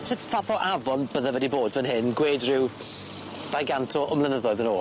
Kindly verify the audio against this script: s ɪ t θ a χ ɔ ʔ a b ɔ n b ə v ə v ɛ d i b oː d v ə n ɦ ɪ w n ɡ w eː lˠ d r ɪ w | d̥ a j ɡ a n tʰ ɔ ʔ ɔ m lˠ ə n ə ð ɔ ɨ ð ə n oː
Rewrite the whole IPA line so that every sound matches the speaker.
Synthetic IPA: s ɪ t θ a θ ɔ ʔ a v ɔ n b ə ð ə v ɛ d i b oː d v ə n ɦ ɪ n ɡ w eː d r ɪ w | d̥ a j ɡ a n tʰ ɔ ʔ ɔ m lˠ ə n ə ð ɔ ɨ ð ə n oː

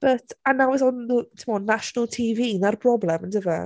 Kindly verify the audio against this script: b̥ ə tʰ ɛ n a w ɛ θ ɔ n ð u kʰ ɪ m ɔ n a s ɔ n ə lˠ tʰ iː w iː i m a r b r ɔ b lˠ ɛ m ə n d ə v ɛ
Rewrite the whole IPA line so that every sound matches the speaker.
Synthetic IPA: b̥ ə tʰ a n a w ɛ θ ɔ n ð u tʰ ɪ m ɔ n a ʃ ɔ n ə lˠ tʰ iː v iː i n a r b r ɔ b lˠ ɛ m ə n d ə v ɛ

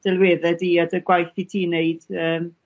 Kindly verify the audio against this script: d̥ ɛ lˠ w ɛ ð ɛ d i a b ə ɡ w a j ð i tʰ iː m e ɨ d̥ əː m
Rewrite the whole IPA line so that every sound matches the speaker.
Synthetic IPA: d̥ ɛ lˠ w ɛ ð ɛ d i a d ə ɡ w a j θ i tʰ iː n e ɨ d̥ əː m

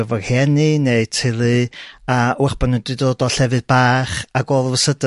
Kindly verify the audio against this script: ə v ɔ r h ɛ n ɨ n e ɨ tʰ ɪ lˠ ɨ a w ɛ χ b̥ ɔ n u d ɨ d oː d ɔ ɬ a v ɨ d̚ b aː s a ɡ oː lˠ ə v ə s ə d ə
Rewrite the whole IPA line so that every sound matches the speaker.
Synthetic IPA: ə v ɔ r h ɛ n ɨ n e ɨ tʰ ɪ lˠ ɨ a w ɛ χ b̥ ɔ n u d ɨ d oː d ɔ ɬ ɛ v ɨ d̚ b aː χ a ɡ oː lˠ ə v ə s ə d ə

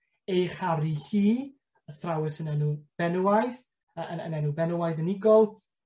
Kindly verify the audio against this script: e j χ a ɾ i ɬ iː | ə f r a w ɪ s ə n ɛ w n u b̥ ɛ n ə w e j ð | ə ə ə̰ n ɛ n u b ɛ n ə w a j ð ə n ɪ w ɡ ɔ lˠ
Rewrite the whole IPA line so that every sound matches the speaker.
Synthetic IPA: e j χ a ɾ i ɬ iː | ə θ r a w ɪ s ə n ɛ n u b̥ ɛ n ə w a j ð | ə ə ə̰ n ɛ n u b ɛ n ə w a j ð ə n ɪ ɡ ɔ lˠ

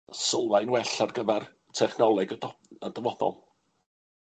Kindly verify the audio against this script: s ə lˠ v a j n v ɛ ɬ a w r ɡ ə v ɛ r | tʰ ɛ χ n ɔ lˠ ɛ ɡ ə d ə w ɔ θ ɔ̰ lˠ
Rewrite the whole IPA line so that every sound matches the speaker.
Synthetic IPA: s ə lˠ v a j n w ɛ ɬ a r ɡ ə v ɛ r | tʰ ɛ χ n ɔ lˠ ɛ ɡ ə d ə v ɔ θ ɔ̰ lˠ

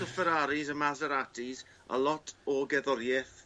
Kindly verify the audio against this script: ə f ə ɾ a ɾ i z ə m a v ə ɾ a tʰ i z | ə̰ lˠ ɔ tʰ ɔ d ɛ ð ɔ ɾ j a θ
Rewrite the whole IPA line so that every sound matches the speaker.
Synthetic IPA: ə f ə ɾ a ɾ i z ə m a z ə ɾ a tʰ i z | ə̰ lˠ ɔ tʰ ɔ ɡ ɛ ð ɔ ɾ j ɛ θ

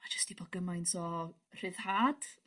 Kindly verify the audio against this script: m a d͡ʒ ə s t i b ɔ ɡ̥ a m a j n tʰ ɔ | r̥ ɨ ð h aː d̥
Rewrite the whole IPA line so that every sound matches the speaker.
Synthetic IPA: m a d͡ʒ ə s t i b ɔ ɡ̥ ə m a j n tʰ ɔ | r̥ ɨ ð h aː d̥

